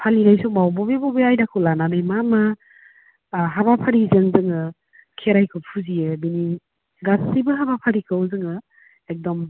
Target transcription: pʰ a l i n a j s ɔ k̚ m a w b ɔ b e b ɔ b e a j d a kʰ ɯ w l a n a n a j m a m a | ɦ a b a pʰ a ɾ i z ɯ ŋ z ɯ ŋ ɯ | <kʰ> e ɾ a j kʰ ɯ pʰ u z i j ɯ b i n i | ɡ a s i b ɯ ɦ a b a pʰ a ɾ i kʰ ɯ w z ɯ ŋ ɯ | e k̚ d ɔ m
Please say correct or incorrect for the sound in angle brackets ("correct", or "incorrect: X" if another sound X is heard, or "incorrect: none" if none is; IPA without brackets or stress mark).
correct